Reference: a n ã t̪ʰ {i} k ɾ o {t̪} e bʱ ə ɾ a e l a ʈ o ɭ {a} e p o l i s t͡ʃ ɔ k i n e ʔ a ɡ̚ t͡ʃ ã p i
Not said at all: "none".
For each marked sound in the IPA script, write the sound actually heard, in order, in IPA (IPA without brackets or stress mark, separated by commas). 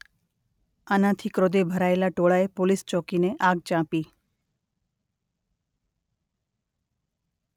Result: i, d̪, a